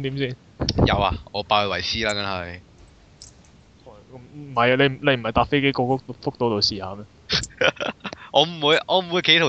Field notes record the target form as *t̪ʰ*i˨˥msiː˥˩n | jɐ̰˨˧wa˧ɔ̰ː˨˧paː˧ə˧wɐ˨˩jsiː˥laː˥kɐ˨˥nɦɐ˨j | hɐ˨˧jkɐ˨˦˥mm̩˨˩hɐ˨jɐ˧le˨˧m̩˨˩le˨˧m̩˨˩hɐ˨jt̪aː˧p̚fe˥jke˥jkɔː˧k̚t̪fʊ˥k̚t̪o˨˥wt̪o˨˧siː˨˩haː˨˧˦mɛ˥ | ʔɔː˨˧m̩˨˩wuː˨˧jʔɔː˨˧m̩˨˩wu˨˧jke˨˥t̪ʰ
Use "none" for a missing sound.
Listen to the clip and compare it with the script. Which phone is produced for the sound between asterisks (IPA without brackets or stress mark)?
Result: t̪